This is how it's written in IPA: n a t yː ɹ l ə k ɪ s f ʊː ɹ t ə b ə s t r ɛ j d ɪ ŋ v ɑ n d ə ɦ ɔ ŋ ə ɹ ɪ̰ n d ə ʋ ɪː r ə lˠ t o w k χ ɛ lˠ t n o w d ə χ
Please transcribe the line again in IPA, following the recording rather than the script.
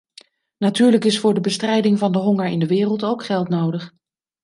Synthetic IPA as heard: n a t yː ɹ l ə k ɪ s f ʊː ɹ d ə b ə s t r ɛ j d ɪ ŋ v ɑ n d ə ɦ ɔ ŋ ə ɹ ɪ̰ n d ə ʋ ɪː r ə lˠ t o w k χ ɛ lˠ t n o w d ə χ